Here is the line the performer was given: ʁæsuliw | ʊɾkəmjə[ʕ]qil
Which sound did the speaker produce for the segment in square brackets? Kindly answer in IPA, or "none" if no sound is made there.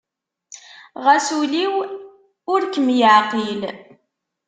ʕ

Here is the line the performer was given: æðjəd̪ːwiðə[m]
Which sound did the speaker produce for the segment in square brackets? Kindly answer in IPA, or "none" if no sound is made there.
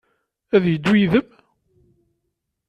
m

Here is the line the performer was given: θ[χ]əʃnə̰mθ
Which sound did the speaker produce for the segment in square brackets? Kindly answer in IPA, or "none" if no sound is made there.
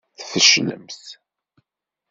f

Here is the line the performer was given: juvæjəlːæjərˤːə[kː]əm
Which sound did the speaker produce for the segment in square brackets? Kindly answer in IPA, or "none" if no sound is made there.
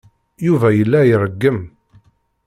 ɡː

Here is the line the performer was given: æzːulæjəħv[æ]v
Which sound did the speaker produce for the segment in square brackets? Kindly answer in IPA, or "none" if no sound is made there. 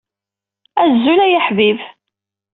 i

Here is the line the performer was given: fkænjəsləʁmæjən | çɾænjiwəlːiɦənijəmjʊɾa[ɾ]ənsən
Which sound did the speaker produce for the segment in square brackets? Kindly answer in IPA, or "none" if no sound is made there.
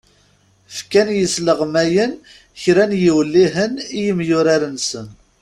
ɾ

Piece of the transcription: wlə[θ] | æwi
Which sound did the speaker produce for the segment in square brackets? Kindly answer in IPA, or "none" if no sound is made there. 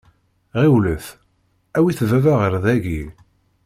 θ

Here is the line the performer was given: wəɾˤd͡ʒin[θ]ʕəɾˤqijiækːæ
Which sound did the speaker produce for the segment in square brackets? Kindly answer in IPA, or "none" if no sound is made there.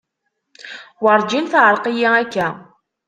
θ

